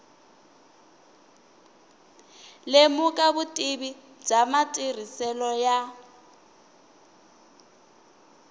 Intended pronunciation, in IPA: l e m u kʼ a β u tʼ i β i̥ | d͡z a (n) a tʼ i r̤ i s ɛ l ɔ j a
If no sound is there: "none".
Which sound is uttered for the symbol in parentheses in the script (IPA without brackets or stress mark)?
m